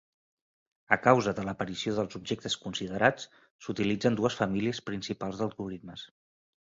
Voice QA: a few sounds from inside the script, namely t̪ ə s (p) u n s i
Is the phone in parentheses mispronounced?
yes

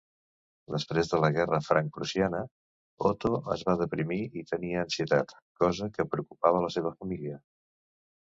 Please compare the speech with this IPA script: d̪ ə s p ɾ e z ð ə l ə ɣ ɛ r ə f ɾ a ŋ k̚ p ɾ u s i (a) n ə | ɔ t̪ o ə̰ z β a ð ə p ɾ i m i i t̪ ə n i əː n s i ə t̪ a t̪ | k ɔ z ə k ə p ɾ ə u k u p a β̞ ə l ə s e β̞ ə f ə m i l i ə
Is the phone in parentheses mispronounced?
no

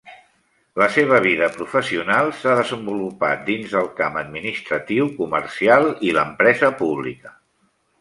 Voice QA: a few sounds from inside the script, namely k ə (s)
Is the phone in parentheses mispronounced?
yes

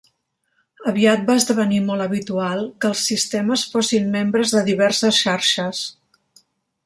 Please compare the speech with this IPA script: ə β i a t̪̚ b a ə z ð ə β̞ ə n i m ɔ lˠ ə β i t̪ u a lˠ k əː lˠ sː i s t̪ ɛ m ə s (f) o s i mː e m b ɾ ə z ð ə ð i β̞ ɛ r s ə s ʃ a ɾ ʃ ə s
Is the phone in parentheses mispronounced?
no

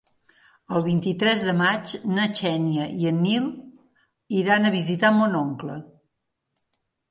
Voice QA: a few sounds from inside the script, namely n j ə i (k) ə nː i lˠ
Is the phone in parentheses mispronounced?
yes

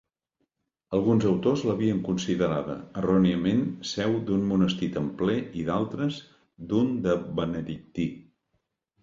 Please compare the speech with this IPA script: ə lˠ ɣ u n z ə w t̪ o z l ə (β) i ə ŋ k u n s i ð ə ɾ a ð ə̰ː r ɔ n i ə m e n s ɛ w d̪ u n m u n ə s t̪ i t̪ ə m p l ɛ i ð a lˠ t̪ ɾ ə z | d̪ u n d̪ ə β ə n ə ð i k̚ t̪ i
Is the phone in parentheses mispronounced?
no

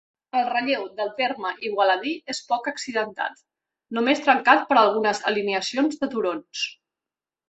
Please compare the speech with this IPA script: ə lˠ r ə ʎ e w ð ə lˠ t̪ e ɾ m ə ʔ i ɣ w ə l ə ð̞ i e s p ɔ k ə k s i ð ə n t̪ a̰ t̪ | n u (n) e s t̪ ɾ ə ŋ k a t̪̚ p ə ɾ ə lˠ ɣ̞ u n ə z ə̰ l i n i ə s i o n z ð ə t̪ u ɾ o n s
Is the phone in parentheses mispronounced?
yes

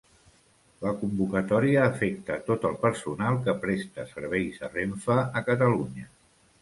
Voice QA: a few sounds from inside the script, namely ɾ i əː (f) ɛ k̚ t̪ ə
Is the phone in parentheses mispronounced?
no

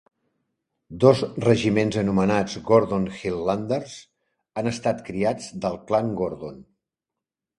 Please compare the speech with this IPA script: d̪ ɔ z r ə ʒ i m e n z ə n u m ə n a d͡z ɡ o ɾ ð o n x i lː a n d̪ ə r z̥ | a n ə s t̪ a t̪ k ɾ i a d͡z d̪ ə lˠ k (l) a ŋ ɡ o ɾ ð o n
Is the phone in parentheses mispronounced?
no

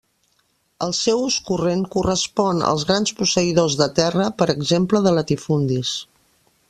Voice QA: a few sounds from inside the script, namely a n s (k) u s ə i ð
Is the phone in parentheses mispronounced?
yes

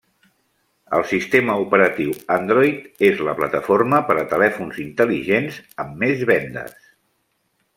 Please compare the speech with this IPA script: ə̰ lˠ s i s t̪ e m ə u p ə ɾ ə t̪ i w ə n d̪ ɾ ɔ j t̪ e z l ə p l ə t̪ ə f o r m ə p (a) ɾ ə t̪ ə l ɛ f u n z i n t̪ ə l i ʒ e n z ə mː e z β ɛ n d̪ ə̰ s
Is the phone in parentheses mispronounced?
yes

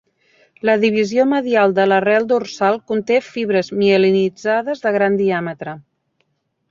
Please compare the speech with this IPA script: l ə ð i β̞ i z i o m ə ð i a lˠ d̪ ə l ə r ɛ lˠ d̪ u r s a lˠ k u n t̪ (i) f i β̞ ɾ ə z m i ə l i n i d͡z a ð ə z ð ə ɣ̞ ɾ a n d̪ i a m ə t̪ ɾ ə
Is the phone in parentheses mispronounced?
yes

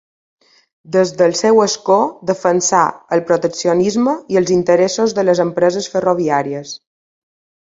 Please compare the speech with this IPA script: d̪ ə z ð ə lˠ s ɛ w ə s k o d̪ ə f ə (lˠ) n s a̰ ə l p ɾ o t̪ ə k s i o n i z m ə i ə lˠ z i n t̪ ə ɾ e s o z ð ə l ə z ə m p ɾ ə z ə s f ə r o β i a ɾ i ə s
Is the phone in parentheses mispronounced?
yes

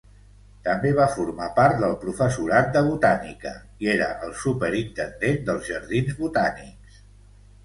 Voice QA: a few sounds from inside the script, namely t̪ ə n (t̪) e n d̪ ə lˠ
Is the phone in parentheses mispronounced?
yes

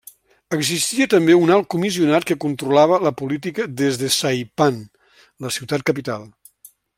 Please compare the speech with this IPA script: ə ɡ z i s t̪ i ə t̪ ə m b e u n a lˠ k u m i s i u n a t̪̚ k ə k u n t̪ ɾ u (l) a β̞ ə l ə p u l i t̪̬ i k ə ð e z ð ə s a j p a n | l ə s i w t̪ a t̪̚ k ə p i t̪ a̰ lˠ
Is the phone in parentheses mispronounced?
no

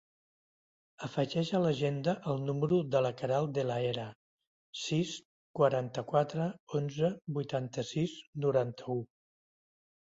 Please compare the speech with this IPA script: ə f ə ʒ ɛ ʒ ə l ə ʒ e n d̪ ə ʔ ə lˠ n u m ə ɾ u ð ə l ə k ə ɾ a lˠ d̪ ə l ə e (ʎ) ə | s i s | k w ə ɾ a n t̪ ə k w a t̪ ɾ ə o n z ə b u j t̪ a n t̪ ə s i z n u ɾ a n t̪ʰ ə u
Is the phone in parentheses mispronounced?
yes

